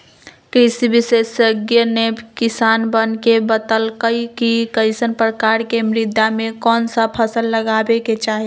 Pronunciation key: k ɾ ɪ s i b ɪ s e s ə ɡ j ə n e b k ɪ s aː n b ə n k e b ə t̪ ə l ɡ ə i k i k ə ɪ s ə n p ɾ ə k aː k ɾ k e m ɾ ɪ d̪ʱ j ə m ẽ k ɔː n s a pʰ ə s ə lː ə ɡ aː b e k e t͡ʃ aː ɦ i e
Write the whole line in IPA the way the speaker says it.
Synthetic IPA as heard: k ɾ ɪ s i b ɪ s e s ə ɡ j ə n e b k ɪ s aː n b ə n k e b ə t̪ ə l k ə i k i k ə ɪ s ə n p ɾ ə k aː ɾ k e m ɾ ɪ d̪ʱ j a m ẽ k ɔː n s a pʰ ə s ə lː ə ɡ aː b e k e t͡ʃ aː ɦ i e